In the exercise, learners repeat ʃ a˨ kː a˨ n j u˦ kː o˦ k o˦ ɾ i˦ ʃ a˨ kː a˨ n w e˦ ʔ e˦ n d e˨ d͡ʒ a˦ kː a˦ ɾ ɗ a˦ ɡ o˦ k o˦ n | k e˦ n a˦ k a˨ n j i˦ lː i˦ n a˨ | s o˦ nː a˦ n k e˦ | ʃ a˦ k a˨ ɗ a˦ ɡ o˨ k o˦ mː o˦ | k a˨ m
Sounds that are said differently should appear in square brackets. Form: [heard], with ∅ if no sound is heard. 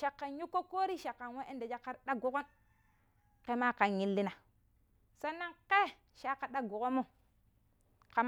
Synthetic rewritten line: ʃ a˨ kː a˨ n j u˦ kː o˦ k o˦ ɾ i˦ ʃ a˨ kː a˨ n w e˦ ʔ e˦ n d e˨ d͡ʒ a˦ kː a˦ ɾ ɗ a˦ ɡ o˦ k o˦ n | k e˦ [m] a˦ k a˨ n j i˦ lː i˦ n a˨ | s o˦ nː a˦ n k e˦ | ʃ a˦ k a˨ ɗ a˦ ɡ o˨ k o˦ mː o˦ | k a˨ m